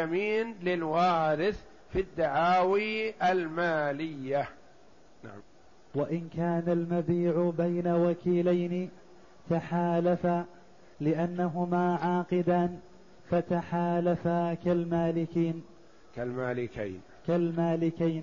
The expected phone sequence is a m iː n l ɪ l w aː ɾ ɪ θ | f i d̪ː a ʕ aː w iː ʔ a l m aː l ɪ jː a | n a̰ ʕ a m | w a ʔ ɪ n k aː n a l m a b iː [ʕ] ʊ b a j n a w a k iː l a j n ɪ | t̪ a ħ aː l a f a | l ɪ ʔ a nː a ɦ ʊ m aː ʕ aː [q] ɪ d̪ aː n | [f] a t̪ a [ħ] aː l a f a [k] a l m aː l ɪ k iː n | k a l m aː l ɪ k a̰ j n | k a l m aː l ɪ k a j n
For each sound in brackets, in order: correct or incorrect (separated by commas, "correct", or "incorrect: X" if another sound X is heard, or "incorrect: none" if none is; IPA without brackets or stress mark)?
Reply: correct, correct, correct, correct, correct